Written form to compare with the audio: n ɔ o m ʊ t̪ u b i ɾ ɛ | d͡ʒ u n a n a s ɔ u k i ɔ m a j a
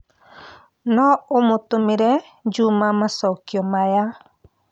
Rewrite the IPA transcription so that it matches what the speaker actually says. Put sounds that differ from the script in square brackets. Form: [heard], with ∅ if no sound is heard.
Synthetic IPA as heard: n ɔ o m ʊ t̪ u [m] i ɾ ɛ | d͡ʒ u [m] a [m] a s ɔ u k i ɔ m a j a